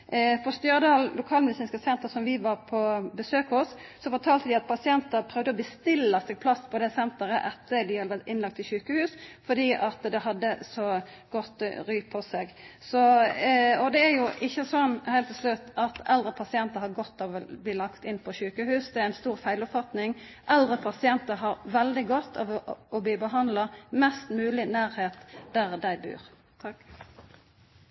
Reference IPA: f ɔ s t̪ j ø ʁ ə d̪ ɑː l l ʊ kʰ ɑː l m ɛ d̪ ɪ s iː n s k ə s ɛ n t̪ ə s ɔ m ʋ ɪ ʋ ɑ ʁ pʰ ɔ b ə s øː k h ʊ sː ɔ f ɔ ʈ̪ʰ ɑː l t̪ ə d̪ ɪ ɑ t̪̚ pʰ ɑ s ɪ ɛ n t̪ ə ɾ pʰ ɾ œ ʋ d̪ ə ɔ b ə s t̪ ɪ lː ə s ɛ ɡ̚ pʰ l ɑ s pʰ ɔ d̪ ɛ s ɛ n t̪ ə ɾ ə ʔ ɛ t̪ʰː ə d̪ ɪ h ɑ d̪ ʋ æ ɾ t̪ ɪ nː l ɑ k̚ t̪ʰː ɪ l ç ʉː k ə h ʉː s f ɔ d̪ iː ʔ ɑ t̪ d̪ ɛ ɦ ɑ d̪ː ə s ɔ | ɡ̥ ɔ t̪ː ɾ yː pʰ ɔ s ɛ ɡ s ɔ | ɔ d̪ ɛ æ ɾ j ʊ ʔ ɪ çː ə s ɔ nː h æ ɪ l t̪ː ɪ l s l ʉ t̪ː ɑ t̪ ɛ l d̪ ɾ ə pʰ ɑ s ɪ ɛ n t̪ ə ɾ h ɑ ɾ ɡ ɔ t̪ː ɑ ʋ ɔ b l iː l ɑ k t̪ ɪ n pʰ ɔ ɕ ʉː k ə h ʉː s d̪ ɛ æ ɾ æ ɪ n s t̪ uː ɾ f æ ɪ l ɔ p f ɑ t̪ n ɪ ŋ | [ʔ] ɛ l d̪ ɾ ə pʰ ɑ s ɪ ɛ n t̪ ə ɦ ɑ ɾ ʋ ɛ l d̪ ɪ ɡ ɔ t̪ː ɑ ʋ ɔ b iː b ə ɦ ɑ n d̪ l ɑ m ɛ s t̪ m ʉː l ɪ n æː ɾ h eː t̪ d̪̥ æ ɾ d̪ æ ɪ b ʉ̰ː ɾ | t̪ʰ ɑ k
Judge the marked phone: correct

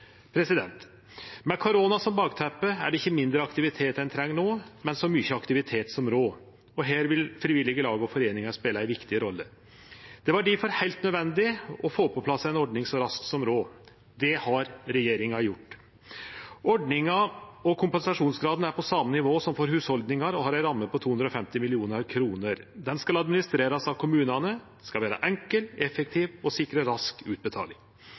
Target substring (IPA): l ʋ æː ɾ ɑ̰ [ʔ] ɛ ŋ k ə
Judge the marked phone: correct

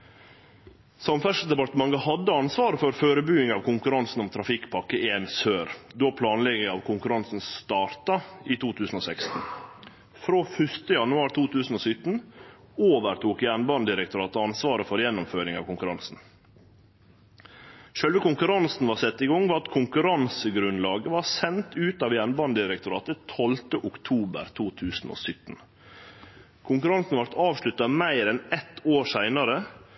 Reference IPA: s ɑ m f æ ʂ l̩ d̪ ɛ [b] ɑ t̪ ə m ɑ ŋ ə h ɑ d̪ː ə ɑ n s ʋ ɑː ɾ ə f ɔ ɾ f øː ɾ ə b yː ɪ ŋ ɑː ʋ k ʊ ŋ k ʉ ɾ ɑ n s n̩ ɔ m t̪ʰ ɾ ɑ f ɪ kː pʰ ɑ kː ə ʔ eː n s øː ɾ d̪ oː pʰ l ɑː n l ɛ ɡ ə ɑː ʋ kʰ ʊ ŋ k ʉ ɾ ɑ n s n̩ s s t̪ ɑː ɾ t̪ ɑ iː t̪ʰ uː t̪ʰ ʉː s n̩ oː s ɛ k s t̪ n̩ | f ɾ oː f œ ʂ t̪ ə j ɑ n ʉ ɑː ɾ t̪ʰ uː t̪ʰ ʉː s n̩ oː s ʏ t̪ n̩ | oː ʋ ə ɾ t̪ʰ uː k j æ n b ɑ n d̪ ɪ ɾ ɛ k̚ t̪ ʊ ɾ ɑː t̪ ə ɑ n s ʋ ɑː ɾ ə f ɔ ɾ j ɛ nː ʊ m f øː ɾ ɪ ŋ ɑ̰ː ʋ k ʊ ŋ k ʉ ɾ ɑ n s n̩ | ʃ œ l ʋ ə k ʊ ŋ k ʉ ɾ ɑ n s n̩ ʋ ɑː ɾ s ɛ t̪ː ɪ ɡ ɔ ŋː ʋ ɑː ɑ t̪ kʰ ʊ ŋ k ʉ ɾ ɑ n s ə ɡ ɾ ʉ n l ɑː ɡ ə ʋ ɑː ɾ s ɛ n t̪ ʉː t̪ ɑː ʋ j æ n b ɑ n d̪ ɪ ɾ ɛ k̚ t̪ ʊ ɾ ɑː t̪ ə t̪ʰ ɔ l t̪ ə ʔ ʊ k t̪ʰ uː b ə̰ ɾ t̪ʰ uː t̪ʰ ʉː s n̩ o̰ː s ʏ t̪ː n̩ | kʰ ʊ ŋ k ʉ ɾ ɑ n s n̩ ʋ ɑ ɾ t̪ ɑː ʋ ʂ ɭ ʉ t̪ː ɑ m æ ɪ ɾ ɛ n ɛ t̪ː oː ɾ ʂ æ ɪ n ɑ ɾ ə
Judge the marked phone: incorrect: p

